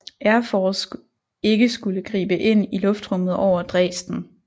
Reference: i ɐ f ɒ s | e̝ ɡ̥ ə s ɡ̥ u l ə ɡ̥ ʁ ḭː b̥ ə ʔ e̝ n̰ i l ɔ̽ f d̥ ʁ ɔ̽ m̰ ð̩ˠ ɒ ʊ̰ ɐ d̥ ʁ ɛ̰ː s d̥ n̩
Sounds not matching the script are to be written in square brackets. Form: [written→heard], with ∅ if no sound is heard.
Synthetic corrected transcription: [i→æ] ɐ f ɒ s | e̝ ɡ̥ ə s ɡ̥ u l ə ɡ̥ ʁ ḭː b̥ ə ʔ e̝ n̰ i l ɔ̽ f d̥ ʁ ɔ̽ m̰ ð̩ˠ ɒ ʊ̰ ɐ d̥ ʁ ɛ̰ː s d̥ n̩